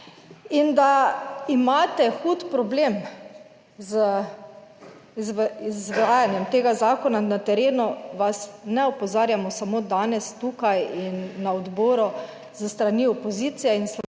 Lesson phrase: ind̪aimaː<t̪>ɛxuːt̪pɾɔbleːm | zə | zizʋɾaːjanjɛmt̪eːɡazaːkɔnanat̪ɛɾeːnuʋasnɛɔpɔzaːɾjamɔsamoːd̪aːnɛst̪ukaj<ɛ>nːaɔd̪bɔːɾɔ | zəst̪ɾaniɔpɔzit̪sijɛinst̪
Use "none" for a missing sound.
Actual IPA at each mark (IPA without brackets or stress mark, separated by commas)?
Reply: t̪, i